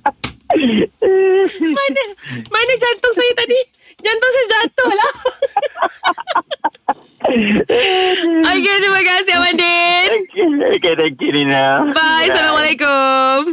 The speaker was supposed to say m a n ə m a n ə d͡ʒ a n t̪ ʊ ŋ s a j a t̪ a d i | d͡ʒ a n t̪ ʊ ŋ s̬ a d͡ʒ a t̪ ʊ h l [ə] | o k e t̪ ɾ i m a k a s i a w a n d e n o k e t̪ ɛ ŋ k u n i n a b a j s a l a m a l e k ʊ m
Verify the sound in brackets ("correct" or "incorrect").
incorrect